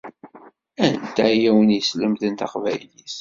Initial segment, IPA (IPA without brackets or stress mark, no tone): æ